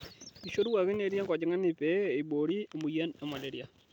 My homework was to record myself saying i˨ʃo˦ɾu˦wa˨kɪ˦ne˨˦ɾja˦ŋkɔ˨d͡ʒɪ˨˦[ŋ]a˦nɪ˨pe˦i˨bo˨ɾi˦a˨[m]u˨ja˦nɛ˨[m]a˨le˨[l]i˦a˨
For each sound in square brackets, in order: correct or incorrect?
correct, correct, correct, incorrect: ɾ

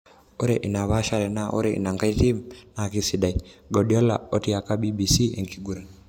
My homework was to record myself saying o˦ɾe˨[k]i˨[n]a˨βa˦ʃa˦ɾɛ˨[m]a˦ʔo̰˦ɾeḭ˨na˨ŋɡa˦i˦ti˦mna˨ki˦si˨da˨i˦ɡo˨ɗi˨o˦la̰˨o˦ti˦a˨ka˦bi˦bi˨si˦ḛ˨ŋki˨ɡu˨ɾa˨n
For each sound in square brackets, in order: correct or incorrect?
incorrect: ʔ, correct, incorrect: n

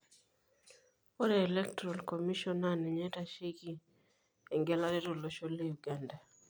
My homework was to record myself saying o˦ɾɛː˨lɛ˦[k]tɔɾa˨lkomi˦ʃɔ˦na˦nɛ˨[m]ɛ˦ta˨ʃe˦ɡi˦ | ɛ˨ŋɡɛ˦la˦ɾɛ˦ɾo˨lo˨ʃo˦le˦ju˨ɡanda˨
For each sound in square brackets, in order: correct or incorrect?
correct, incorrect: ɲ

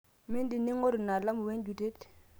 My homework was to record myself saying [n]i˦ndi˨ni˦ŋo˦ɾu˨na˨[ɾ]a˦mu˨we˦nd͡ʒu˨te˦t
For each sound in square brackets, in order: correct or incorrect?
incorrect: m, incorrect: l

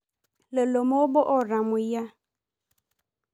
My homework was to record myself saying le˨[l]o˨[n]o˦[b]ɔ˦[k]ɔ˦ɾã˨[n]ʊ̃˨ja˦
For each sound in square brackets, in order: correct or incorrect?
correct, incorrect: m, correct, incorrect: ʔ, incorrect: m

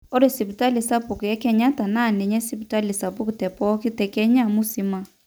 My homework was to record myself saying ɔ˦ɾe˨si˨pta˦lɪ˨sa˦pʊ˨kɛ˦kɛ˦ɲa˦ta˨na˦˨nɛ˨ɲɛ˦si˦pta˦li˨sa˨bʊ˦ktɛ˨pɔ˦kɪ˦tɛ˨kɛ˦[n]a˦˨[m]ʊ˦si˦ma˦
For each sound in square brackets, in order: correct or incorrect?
incorrect: ɲ, correct

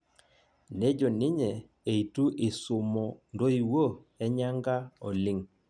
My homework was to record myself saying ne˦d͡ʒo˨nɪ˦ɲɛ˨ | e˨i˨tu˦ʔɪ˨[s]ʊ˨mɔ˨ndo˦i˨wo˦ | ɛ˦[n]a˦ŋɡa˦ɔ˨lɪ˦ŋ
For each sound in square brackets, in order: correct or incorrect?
correct, incorrect: ɲ

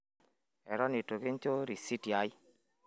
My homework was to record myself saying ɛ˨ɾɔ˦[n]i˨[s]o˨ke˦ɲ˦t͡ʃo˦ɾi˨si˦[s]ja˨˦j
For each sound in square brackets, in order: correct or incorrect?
correct, incorrect: t, incorrect: t

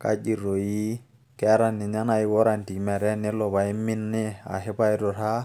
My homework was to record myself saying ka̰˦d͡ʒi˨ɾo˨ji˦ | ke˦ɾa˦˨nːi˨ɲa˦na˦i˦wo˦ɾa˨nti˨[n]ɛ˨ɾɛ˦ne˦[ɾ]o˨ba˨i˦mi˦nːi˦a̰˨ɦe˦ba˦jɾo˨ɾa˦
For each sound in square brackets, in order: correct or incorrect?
incorrect: m, incorrect: l

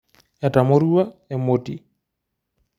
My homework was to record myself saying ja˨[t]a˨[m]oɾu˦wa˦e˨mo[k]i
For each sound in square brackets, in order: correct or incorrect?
correct, correct, incorrect: t

